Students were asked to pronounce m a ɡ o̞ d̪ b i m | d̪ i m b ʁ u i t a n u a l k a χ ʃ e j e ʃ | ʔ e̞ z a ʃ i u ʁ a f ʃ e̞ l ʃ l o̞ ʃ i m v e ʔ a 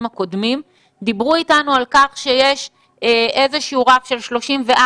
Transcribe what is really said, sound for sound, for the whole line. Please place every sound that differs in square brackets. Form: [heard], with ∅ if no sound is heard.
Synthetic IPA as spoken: m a [k] o̞ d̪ [m] i m | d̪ i [∅] b ʁ u i t a n u a l k a χ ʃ e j e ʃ | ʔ e̞ z [e] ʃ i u ʁ a f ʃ e̞ l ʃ l o̞ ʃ i m v e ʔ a